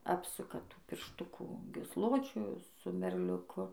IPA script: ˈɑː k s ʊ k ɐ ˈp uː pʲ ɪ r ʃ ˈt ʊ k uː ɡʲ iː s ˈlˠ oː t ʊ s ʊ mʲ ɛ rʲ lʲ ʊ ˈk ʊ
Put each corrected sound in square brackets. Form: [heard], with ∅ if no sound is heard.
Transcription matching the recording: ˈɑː [p] s ʊ k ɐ [ˈt] uː pʲ ɪ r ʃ ˈt ʊ k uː ɡʲ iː s ˈlˠ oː [t͡ʃʲ] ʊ s ʊ mʲ ɛ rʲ lʲ ʊ ˈk ʊ